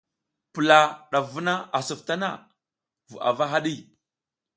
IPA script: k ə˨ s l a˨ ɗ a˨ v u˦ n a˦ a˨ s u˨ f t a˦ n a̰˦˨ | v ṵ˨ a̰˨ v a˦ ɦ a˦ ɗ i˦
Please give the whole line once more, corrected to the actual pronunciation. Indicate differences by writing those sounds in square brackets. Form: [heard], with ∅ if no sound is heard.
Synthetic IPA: [p] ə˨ [∅] l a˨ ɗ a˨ v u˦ n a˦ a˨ s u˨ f t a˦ n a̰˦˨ | v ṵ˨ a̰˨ v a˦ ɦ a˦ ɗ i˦